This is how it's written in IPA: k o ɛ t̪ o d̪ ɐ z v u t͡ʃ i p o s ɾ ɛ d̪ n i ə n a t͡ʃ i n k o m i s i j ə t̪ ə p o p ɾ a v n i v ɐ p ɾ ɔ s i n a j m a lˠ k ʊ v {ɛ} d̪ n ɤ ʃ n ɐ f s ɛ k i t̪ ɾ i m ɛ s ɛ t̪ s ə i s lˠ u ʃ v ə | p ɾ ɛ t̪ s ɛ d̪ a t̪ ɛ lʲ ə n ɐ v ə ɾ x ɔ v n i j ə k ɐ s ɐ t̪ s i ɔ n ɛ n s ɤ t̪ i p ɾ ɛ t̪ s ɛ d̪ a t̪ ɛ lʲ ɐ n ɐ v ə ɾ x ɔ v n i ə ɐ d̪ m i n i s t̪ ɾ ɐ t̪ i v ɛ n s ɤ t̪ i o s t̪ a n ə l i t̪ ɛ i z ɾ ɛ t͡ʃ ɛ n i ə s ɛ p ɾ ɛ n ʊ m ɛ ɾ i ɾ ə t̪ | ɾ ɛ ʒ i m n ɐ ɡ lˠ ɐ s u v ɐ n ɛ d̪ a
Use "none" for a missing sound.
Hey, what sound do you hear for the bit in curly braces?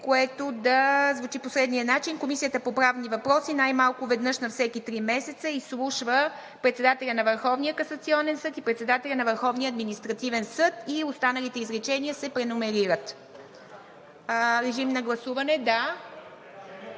ɛ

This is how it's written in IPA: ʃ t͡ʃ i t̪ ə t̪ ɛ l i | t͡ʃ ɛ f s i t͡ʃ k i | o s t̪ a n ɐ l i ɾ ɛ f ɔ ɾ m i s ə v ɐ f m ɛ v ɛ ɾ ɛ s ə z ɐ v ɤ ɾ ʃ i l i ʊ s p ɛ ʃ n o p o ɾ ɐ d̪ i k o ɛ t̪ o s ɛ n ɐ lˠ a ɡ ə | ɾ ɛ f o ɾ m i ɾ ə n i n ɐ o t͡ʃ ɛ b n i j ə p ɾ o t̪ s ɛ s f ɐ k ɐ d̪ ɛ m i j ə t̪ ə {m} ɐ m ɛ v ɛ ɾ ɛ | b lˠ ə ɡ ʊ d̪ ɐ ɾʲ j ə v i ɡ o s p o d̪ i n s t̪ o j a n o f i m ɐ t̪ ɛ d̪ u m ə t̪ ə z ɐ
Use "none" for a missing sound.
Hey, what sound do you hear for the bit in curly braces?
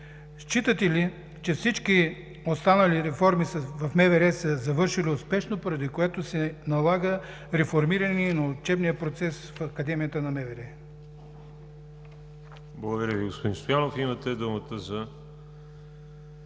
n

